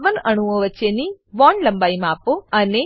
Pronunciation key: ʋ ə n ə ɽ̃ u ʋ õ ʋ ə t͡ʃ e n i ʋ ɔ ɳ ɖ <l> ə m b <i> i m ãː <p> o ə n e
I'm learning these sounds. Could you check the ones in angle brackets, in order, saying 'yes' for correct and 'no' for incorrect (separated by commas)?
yes, no, yes